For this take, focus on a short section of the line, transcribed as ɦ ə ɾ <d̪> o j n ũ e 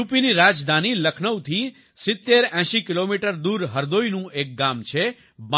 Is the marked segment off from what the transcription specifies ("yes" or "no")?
no